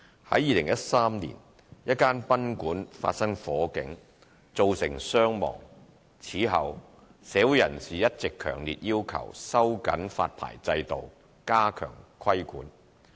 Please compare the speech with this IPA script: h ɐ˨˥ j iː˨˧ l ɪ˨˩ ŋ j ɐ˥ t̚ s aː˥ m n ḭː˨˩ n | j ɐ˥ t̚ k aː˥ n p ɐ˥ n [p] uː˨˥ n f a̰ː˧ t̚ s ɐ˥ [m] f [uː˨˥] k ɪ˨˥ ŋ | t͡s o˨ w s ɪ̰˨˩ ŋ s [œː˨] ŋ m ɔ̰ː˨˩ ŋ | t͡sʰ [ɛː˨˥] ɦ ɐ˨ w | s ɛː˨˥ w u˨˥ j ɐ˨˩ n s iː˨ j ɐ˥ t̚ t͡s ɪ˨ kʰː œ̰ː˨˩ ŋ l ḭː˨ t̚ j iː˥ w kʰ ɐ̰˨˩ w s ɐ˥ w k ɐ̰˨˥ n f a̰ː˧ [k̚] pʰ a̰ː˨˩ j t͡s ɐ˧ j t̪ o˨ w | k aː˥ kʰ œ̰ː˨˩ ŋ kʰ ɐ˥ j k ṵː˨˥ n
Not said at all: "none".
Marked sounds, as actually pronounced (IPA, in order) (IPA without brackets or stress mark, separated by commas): k, ŋ, ɔː˨˥, œː˥, iː˨˥, t̚